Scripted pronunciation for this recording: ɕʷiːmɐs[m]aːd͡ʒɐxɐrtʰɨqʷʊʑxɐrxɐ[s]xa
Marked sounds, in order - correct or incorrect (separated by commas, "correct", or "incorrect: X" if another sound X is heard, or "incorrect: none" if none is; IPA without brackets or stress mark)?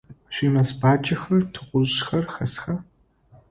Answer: incorrect: b, correct